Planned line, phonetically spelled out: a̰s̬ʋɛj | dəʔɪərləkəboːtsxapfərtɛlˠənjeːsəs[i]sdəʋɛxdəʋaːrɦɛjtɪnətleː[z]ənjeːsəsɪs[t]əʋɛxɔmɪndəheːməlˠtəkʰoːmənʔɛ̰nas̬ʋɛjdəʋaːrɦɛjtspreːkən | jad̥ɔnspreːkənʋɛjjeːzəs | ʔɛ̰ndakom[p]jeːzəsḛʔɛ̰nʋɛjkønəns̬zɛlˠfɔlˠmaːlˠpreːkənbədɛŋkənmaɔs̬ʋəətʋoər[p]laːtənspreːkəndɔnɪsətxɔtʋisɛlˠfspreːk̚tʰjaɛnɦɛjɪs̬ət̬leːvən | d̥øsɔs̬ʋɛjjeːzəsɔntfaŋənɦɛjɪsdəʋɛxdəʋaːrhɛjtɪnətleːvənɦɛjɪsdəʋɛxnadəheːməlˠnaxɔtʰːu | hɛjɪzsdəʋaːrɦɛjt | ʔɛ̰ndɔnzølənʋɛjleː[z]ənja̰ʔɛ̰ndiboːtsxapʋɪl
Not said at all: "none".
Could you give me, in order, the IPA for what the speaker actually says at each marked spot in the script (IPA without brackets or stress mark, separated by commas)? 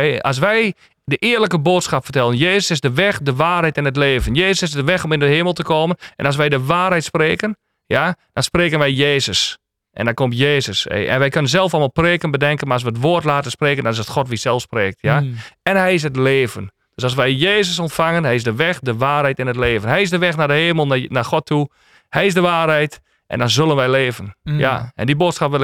ɪ, v, d, t, t, v